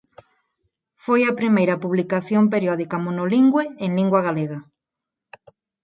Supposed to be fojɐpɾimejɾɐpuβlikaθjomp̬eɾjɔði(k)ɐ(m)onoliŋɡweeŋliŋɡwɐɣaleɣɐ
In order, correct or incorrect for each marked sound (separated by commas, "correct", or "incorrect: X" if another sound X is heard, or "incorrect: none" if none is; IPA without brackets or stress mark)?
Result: correct, correct